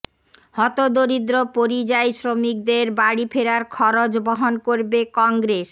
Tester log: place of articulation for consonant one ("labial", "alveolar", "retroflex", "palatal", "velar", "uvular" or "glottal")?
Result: glottal